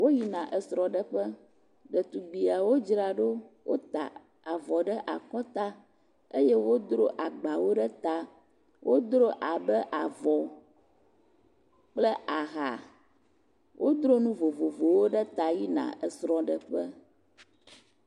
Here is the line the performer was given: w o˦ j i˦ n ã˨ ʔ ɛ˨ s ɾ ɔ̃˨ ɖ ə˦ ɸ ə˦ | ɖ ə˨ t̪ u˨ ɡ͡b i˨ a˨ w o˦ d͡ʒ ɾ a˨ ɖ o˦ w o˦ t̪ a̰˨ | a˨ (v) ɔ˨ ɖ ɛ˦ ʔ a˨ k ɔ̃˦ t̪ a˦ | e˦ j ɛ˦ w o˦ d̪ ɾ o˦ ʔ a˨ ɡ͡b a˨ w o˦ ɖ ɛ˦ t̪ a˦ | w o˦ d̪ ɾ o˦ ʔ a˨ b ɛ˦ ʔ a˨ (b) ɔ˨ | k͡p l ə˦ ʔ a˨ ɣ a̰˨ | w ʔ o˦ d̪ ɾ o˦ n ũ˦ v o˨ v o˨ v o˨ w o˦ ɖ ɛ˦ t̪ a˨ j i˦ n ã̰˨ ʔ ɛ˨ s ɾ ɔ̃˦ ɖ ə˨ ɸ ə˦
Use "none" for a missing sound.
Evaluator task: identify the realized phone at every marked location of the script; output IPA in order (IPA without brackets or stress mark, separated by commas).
v, v